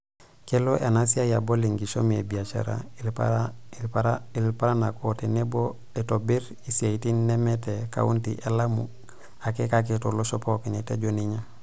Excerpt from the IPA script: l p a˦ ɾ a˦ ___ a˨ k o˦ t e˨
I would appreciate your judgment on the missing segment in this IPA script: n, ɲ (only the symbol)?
n